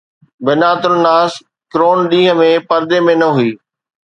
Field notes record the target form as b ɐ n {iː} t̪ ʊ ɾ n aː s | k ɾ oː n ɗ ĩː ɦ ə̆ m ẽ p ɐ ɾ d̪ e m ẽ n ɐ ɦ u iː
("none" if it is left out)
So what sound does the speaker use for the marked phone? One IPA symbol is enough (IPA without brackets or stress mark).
aː